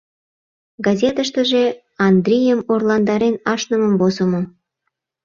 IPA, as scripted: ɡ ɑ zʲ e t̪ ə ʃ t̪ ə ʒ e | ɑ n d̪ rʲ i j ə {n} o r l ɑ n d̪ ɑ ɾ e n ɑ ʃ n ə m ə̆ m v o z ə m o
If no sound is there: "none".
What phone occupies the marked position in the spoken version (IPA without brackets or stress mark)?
m